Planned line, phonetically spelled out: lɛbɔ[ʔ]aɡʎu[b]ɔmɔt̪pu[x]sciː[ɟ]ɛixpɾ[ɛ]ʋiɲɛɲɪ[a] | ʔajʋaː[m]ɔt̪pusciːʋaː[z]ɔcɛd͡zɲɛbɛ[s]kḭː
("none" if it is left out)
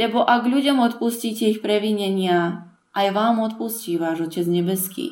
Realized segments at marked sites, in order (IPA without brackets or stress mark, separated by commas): ʔ, ɟ, none, c, ɛ, a, m, ʒ, s